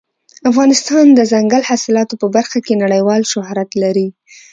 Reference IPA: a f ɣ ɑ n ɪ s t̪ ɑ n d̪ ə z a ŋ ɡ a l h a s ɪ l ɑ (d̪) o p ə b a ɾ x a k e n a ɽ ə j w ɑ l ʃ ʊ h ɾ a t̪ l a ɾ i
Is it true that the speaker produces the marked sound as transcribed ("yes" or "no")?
no